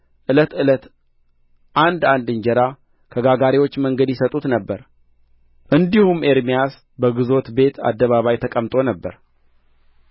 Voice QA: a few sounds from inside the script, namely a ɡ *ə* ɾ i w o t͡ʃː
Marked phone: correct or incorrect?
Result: incorrect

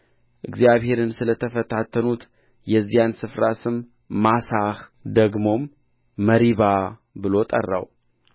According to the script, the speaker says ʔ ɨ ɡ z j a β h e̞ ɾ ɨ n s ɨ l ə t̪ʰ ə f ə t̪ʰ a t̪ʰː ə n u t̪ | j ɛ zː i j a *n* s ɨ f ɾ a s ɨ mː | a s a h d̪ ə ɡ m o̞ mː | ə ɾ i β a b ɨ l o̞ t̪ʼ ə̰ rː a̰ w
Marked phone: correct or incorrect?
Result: correct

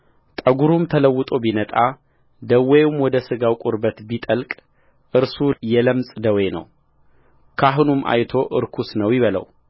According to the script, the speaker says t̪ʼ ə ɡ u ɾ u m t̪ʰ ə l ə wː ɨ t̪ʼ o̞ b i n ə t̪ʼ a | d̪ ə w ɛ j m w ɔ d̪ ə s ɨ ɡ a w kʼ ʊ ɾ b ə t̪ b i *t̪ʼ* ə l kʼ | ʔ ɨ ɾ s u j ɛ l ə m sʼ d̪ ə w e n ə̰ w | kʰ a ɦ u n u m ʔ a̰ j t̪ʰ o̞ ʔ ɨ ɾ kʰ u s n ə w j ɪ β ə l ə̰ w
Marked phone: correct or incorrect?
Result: correct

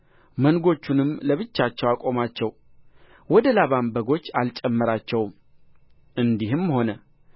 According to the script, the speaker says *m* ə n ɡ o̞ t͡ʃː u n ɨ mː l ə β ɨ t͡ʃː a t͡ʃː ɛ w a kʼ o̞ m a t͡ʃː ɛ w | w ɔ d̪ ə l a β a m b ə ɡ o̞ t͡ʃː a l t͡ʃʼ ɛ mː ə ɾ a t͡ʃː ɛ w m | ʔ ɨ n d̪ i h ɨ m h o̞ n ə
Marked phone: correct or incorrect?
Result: correct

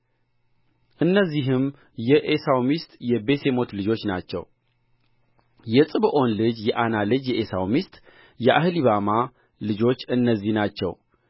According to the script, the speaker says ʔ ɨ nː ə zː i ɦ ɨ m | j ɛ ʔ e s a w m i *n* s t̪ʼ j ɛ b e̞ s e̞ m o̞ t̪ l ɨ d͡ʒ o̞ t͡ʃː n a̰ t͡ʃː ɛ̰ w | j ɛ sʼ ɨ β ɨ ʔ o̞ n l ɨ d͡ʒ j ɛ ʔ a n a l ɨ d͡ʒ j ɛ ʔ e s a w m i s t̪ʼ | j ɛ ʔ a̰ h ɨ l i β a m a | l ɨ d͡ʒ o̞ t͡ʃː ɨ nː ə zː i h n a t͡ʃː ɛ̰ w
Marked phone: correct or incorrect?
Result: incorrect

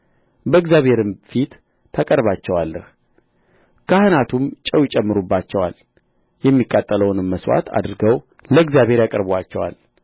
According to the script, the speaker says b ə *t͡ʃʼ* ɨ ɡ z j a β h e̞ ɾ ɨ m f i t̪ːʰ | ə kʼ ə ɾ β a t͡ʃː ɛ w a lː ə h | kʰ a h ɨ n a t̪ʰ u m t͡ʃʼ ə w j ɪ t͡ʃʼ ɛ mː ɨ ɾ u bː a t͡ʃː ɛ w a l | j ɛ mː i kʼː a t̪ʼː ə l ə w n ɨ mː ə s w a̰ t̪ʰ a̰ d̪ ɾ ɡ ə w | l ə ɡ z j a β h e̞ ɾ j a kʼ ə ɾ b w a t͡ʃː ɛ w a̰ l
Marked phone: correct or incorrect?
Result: incorrect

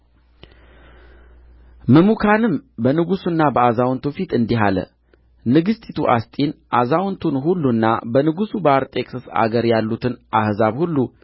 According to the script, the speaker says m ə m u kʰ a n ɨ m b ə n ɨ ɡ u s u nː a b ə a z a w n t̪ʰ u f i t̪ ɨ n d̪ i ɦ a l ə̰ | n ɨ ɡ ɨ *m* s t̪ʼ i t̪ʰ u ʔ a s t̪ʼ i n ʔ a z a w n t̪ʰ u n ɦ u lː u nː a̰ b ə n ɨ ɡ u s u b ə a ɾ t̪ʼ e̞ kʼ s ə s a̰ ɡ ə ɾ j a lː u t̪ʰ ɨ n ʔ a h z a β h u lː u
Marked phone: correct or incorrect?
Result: incorrect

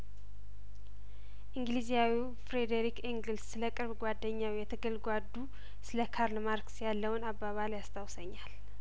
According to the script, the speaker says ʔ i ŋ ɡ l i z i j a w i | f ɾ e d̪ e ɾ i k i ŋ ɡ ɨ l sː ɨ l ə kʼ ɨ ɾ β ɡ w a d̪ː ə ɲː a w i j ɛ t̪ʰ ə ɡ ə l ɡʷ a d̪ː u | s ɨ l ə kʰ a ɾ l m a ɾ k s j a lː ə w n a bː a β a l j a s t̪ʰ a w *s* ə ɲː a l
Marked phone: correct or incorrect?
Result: correct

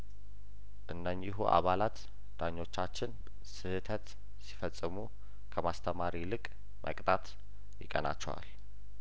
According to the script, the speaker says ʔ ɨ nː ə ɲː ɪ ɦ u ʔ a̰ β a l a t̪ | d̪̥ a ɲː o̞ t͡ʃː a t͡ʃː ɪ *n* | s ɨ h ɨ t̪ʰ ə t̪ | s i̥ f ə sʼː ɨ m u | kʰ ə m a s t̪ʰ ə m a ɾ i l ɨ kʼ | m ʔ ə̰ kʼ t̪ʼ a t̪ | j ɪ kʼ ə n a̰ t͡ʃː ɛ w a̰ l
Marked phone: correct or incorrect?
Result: correct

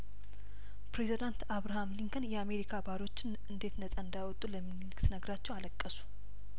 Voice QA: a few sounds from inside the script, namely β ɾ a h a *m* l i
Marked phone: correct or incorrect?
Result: correct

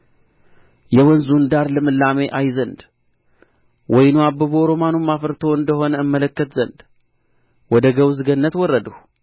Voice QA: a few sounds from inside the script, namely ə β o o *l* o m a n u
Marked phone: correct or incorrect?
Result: incorrect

